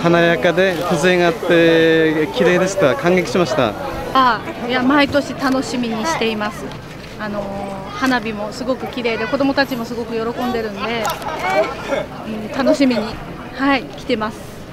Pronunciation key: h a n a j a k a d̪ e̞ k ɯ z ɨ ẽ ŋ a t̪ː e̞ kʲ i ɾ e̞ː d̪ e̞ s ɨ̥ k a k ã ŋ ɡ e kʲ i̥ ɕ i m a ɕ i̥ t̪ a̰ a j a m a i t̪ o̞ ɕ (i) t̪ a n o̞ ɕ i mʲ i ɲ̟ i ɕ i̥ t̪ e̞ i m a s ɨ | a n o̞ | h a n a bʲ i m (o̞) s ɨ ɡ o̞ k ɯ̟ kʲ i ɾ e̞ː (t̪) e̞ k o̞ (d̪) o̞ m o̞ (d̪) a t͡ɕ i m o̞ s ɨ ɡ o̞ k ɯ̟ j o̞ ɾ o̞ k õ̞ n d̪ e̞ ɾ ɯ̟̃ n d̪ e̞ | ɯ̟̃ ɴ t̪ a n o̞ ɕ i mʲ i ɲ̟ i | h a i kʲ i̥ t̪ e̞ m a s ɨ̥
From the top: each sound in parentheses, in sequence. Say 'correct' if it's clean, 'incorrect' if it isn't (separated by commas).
correct, correct, incorrect, correct, incorrect